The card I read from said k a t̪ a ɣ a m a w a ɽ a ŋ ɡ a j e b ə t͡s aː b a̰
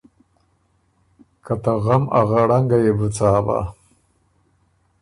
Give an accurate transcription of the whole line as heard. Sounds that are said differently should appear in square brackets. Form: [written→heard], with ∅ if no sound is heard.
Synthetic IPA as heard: k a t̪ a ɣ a m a [w→ɣ] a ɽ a ŋ ɡ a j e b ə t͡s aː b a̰